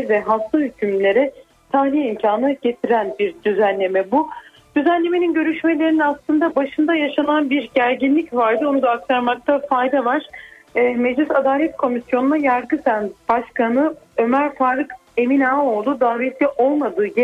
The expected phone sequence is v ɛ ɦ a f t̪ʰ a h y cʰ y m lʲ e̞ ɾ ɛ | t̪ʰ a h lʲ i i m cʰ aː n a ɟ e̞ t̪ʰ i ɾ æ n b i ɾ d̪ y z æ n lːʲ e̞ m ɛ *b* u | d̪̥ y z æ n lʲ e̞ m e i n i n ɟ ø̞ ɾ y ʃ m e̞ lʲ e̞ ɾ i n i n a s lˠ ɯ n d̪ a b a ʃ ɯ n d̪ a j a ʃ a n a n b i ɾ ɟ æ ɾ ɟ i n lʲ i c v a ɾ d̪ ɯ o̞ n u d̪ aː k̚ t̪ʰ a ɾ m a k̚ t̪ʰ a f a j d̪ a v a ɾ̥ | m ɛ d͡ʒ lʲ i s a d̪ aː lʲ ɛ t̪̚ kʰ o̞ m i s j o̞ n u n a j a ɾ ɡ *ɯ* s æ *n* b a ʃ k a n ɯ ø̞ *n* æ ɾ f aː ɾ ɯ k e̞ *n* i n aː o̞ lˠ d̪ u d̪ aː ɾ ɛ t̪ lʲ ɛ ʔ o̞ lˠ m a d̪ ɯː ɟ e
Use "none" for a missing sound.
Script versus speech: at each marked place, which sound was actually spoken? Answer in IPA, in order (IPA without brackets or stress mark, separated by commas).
b, ɯ, n, m, m